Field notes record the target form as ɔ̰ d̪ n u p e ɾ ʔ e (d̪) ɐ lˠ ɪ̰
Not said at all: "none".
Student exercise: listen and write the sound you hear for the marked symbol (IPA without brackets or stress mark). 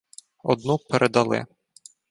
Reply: d̪